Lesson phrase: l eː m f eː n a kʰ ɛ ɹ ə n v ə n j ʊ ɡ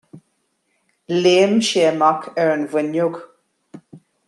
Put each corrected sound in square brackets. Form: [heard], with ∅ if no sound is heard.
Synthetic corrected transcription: l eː m [ʃ] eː [m] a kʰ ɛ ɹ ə n v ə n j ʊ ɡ